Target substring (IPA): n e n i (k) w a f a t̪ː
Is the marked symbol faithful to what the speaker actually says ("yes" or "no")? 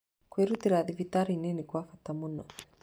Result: yes